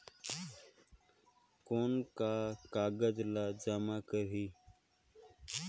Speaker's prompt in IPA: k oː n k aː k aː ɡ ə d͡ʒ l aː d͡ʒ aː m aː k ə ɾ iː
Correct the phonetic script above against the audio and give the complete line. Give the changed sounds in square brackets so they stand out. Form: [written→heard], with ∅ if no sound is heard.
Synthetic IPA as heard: k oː n k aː k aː ɡ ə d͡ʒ l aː d͡ʒ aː m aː k ə ɾ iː